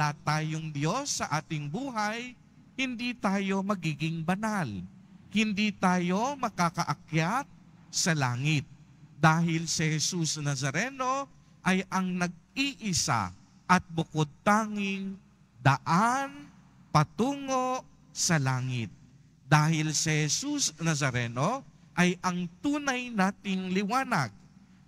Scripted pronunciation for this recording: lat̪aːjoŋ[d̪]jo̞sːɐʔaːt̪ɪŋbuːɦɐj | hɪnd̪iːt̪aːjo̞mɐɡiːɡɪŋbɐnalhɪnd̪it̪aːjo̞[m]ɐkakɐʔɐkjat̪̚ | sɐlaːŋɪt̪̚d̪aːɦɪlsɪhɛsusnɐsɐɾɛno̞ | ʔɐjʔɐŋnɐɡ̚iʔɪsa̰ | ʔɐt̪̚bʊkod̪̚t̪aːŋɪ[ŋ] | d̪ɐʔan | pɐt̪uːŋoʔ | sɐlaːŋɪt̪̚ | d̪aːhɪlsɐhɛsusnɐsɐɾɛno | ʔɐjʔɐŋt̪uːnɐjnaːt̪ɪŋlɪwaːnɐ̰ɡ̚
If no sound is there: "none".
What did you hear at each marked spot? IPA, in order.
d̪, m, ŋ

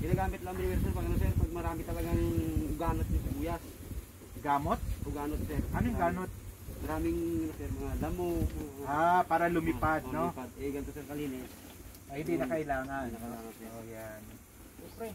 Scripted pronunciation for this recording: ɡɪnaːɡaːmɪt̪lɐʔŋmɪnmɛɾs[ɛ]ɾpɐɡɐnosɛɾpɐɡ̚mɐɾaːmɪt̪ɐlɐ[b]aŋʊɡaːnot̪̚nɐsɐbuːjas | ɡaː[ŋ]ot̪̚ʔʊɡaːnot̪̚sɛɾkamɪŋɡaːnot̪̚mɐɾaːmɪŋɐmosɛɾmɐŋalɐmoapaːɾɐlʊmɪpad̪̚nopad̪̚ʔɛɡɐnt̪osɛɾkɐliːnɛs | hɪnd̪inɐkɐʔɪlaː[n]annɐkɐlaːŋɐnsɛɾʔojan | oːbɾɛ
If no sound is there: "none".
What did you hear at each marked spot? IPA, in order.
ɛ, ɡ, m, ŋ

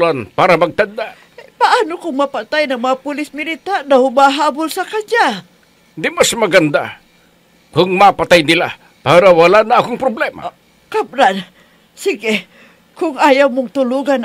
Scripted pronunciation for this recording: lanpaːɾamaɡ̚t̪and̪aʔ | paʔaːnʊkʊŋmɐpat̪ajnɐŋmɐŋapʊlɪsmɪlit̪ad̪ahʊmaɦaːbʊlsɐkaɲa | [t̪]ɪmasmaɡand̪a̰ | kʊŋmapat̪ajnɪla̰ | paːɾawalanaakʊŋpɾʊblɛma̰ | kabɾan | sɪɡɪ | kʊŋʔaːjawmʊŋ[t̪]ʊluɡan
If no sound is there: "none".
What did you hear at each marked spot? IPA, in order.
d̪, t̪

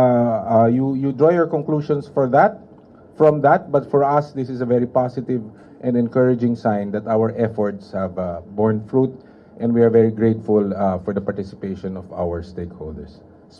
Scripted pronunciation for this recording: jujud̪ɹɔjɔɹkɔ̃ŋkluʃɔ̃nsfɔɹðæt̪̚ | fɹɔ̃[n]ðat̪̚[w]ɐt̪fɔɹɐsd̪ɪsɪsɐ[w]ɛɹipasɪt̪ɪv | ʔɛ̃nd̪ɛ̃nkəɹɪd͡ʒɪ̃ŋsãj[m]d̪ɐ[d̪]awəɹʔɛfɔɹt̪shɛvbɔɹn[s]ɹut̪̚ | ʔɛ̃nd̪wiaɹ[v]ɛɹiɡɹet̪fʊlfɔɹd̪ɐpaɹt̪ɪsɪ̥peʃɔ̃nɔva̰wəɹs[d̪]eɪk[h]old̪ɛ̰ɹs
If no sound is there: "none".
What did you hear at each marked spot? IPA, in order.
m, b, v, n, t̪, f, v, t̪, h

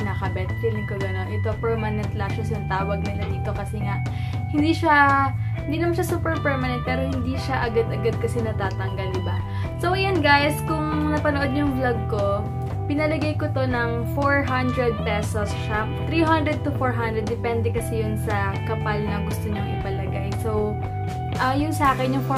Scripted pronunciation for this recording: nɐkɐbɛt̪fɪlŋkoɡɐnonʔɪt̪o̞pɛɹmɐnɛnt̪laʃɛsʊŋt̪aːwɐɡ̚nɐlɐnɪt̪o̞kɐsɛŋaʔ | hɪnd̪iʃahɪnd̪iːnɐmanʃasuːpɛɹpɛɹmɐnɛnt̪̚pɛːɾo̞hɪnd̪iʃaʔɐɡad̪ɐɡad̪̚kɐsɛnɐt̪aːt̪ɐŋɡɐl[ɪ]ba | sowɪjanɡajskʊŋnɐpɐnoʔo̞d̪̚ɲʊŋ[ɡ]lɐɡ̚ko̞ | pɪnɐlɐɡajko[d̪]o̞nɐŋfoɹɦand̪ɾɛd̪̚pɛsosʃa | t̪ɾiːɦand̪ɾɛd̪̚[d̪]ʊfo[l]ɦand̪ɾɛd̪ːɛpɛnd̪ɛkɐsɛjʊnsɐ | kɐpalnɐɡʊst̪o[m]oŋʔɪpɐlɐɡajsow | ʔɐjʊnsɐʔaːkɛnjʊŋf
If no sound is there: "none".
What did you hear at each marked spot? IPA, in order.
ɪ, b, t̪, t̪, ɹ, ɲ

